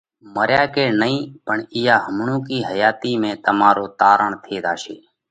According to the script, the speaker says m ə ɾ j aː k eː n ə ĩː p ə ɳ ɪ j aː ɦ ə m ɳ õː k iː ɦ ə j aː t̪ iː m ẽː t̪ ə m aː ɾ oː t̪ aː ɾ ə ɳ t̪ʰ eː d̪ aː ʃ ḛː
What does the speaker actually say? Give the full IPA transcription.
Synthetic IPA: m ə ɾ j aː k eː n ə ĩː p ə ɳ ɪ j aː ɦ ə m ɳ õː k iː ɦ ə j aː t̪ iː m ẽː t̪ ə m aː ɾ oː t̪ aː ɾ ə ɳ t̪ʰ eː d̪ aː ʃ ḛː